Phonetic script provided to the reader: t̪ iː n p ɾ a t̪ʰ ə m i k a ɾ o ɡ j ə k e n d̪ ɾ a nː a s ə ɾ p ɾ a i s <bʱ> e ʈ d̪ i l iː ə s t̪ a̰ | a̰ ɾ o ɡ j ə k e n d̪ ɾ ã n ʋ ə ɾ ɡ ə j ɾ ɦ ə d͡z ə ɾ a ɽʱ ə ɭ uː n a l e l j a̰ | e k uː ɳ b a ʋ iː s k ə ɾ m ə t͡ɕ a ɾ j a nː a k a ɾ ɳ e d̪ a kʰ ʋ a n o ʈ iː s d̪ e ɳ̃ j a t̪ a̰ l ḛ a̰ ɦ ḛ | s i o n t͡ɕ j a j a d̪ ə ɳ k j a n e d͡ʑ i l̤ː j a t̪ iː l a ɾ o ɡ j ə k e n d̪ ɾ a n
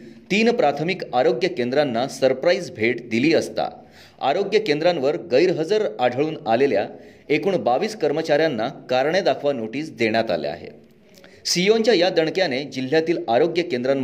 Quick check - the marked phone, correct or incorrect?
correct